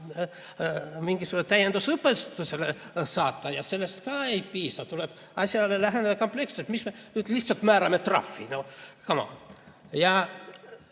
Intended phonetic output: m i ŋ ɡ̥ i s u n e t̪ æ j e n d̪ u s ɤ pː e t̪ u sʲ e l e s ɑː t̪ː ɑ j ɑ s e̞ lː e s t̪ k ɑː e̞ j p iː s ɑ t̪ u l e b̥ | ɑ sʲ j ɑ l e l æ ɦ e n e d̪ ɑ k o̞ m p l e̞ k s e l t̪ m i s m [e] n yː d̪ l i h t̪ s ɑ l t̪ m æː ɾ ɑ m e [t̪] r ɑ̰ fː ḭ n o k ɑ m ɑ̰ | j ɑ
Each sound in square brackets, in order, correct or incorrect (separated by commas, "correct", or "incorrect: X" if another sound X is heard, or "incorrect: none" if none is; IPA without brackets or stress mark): correct, correct